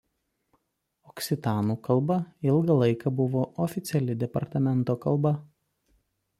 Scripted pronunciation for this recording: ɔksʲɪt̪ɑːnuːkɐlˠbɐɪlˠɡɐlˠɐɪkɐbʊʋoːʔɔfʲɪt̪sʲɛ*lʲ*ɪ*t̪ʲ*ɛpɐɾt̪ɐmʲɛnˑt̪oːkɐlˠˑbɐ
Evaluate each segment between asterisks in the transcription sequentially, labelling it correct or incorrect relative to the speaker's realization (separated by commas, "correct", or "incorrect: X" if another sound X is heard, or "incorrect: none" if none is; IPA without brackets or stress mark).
correct, incorrect: d̪ʲ